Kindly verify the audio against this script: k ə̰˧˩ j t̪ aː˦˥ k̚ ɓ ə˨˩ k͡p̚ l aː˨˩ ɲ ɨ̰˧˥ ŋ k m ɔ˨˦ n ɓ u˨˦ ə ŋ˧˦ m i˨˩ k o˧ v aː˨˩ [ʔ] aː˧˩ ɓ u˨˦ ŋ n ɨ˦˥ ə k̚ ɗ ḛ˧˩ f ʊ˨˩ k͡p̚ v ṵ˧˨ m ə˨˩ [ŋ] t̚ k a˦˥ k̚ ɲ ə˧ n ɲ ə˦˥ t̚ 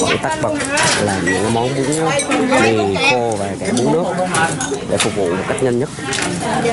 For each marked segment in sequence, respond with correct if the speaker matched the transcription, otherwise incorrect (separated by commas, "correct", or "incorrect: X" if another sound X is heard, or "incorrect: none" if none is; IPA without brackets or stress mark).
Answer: incorrect: k, incorrect: none